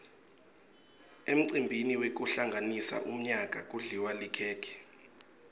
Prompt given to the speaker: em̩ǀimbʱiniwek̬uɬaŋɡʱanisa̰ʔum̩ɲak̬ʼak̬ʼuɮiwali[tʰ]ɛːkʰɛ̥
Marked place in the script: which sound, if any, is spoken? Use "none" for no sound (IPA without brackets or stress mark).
kʰ